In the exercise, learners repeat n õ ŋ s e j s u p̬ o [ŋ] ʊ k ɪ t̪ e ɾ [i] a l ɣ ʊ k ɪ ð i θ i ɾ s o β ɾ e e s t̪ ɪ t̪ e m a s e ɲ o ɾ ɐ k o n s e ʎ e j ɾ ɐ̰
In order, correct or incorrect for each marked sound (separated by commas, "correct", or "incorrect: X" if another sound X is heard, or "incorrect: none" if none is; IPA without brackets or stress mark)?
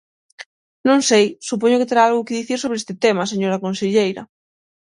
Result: incorrect: ɲ, incorrect: a